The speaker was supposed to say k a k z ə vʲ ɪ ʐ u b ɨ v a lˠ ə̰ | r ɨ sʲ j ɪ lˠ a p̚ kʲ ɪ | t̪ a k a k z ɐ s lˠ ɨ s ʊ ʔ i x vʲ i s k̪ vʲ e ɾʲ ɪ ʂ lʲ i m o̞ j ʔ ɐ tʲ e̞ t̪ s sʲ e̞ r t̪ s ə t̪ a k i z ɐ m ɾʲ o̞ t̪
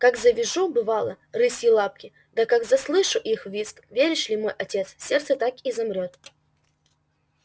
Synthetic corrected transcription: k a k z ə vʲ ɪ ʐ u b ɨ v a lˠ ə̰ | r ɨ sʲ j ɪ lˠ a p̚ kʲ ɪ | d̪ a k a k z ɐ s lˠ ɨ ʂ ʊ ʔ i x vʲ i s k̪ vʲ e ɾʲ ɪ ʂ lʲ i m o̞ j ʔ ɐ tʲ e̞ t̪ s sʲ e̞ r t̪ s ə t̪ a k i z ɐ m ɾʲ o̞ t̪